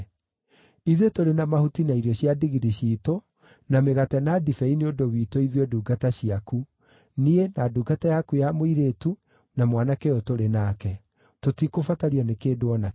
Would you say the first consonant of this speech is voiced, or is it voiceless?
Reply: voiced